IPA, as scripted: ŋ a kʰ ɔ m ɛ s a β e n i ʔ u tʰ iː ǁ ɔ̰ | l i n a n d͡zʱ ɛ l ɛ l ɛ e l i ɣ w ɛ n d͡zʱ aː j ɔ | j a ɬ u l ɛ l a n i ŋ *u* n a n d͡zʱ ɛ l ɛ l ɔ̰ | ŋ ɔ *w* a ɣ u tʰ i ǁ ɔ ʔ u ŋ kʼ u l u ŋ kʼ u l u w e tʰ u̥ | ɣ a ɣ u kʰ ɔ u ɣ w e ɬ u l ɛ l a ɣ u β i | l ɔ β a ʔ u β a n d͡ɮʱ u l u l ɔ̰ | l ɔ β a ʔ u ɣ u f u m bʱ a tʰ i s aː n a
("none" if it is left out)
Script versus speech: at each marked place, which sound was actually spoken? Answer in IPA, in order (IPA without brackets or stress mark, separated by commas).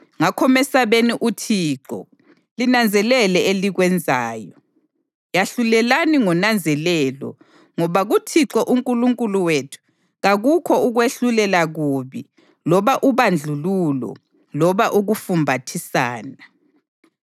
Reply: ɔ, β